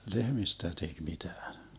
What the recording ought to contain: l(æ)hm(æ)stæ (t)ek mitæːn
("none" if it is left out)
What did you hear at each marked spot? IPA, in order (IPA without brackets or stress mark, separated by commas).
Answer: e, i, t